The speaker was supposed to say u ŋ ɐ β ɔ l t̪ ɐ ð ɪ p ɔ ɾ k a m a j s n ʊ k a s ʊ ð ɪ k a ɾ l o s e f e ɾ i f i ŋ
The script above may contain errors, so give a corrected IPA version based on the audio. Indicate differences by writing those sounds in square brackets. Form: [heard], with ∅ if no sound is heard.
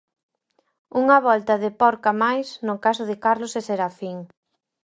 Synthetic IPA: u ŋ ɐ β ɔ l t̪ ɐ ð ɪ p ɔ ɾ k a m a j s n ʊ k a s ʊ ð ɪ k a ɾ l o s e [s] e ɾ [a] f i ŋ